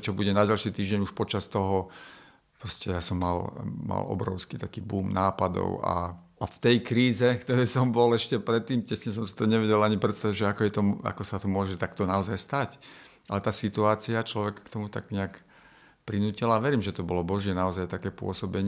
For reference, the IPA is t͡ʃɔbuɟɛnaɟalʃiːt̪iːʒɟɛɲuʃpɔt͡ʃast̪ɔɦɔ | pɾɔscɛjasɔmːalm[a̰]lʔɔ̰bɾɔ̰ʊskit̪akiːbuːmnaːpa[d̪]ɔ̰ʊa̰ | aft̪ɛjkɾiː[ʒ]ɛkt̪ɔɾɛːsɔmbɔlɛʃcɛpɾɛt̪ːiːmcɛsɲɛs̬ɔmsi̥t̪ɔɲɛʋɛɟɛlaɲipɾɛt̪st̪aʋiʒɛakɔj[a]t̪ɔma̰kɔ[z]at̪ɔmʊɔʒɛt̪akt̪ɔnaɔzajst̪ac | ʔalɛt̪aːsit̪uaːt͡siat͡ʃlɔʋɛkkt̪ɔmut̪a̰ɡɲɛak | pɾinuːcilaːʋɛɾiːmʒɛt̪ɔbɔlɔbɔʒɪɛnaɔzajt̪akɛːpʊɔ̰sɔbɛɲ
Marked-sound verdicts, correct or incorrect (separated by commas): correct, correct, incorrect, incorrect, incorrect